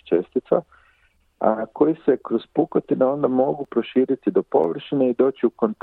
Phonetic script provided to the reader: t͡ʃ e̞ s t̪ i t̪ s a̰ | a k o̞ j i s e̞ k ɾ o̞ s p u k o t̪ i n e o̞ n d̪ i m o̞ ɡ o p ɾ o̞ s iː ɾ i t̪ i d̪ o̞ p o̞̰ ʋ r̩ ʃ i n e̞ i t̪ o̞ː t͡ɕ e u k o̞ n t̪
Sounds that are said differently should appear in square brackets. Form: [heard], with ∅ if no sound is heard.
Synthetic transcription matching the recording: t͡ʃ e̞ s t̪ i t̪ s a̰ | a k o̞ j i s e̞ k ɾ o̞ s p u k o t̪ i n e o̞ n d̪ [a] m o̞ ɡ [u] p ɾ o̞ [ʃ] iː ɾ i t̪ i d̪ o̞ p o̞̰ ʋ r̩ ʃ i n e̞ i [d̪] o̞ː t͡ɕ [i] u k o̞ n t̪